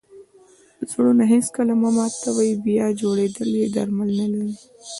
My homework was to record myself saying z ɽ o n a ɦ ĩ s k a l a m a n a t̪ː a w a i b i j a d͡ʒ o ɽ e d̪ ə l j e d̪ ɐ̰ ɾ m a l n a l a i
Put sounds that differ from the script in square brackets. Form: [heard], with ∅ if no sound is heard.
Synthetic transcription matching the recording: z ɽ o n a ɦ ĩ s k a l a m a [m] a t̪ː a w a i b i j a d͡ʒ o ɽ e d̪ ə l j e d̪ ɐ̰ ɾ m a l n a l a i